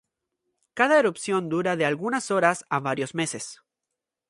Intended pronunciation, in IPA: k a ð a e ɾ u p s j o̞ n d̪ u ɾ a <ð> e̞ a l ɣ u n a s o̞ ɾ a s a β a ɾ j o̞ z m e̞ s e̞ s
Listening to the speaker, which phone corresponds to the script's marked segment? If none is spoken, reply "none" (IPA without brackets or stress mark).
ð